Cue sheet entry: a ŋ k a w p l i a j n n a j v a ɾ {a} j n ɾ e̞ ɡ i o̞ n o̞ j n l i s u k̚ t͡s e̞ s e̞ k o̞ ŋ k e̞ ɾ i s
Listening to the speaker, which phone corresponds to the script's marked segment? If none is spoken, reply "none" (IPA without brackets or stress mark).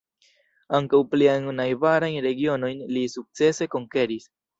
a